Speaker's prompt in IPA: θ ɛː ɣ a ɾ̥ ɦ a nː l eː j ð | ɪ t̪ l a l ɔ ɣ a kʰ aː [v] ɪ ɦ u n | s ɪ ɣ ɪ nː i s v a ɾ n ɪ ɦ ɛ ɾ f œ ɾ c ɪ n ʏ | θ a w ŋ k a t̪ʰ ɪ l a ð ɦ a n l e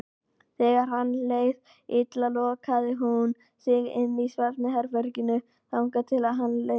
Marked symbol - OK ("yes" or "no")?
no